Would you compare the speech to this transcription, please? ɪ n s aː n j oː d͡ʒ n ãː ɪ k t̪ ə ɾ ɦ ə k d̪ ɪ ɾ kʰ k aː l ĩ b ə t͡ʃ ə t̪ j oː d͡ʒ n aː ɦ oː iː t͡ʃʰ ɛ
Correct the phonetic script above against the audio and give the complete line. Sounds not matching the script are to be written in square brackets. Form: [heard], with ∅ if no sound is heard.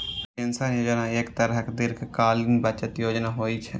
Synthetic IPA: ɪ n s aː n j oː d͡ʒ n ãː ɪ k t̪ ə ɾ ɦ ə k d̪ ɪ ɾ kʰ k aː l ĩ b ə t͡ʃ ə t̪ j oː d͡ʒ n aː ɦ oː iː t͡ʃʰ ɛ